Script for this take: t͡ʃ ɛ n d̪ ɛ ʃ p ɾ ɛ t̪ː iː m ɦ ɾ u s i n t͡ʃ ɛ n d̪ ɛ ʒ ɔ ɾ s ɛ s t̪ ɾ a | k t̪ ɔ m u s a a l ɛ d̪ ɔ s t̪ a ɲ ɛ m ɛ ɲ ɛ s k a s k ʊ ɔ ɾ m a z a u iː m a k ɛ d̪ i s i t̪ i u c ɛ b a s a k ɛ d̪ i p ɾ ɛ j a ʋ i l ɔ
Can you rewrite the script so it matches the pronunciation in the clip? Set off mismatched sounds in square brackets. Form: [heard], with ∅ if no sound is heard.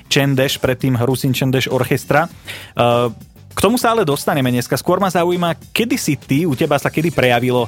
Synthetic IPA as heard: t͡ʃ ɛ n d̪ ɛ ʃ p ɾ ɛ t̪ː iː m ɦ ɾ u s i n t͡ʃ ɛ n d̪ ɛ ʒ ɔ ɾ [x] ɛ s t̪ ɾ a | k t̪ ɔ m u s a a l ɛ d̪ ɔ s t̪ a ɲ ɛ m ɛ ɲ ɛ s k a s k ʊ ɔ ɾ m a z a u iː m a k ɛ d̪ i s i t̪ i u c ɛ b a s a k ɛ d̪ i p ɾ ɛ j a ʋ i l ɔ